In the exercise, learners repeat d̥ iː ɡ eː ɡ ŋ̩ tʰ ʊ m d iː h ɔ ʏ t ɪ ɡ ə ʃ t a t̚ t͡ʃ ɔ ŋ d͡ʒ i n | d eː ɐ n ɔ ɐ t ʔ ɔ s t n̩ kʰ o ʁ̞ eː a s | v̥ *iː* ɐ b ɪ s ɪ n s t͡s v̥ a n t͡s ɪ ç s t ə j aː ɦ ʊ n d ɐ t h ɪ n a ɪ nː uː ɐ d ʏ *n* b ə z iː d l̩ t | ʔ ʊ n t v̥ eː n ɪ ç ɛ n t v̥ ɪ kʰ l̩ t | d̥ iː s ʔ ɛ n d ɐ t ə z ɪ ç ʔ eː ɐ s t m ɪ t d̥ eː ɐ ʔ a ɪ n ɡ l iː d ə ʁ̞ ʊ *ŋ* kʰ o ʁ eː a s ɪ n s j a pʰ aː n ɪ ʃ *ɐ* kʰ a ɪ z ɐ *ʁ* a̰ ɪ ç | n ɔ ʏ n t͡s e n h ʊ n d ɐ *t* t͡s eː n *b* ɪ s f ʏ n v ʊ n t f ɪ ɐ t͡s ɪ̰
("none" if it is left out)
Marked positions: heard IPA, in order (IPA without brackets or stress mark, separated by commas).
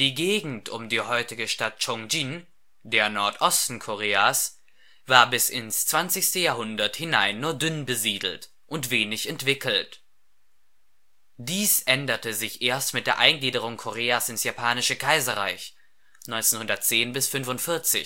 aː, n, ŋ, ə, ʁ, t, b